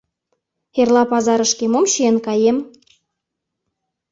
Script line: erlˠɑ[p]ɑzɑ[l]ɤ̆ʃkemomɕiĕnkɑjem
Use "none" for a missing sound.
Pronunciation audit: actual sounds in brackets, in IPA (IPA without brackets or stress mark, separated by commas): p, ɾ